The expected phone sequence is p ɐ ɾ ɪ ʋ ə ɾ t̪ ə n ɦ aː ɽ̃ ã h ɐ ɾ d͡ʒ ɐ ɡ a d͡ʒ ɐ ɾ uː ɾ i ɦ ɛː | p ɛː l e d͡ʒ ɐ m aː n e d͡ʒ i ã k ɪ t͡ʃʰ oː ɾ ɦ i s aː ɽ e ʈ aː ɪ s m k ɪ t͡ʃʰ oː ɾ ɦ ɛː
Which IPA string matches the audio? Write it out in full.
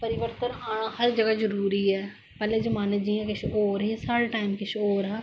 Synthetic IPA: p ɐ ɾ ɪ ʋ ə ɾ t̪ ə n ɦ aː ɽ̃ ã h ɐ ɾ d͡ʒ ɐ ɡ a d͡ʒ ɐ ɾ uː ɾ i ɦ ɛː | p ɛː l e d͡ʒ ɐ m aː n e d͡ʒ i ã k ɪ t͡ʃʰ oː ɾ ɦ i s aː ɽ e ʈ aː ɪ m k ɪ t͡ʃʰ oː ɾ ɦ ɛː